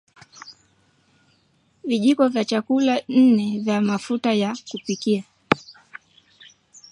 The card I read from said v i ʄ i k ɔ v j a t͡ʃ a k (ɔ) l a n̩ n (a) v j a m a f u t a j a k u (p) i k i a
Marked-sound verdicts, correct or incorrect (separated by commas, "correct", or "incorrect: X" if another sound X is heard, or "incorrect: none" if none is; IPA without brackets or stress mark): incorrect: u, incorrect: ɛ, correct